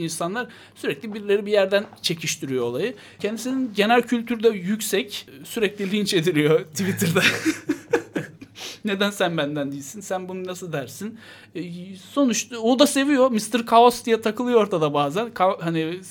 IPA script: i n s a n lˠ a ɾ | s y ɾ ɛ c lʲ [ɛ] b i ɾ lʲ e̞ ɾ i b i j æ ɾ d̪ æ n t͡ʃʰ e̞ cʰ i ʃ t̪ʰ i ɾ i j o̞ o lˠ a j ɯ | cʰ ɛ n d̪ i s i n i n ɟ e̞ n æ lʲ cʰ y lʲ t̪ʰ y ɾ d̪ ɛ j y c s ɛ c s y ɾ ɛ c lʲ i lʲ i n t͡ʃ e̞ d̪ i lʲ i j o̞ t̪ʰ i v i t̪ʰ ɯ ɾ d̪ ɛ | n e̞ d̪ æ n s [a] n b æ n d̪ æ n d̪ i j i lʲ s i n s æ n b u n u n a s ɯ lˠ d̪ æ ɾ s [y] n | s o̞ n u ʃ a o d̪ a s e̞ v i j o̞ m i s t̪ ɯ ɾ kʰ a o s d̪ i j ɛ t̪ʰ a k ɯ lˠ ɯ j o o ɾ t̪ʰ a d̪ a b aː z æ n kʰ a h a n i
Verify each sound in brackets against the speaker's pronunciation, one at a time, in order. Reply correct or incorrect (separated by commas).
incorrect, incorrect, incorrect